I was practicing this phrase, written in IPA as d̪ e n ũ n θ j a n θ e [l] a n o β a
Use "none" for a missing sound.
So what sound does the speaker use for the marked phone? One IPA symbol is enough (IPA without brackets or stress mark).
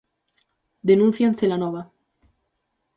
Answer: l